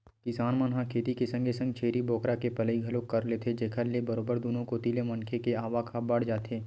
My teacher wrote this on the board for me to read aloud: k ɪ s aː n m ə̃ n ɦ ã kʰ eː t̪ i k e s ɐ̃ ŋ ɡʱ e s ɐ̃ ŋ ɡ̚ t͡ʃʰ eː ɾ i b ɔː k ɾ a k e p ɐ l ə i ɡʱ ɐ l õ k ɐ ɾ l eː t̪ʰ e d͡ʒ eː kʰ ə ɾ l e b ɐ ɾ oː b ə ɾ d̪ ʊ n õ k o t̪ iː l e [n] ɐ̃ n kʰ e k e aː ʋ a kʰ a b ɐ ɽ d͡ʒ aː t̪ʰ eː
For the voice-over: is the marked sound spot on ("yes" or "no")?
no